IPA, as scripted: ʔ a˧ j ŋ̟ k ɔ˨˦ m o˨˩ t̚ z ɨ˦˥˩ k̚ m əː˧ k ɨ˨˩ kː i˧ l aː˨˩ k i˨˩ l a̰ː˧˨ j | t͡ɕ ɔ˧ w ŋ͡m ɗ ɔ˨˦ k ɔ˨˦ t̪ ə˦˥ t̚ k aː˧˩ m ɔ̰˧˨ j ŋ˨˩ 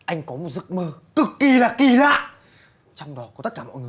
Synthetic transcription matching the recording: ʔ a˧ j ŋ̟ k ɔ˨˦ m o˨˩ t̚ z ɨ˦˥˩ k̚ m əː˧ k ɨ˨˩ kː i˨˩ l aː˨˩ k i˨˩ l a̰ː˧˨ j | t͡ɕ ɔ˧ w ŋ͡m ɗ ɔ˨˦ k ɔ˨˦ t̪ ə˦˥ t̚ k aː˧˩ m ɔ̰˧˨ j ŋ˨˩

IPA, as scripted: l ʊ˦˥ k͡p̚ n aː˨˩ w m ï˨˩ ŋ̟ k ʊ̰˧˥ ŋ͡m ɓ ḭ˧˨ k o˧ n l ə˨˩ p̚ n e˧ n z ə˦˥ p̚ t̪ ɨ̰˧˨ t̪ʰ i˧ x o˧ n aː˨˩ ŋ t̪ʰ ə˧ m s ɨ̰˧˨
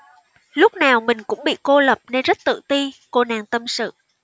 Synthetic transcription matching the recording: l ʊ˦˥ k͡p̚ n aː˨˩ w m ï˨˩ ŋ̟ k ʊ̰˧˥ ŋ͡m ɓ ḭ˧˨ k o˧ l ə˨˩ p̚ n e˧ n z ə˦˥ t̚ t̪ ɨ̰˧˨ t̪ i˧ k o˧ n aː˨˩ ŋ t̪ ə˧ m s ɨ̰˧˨

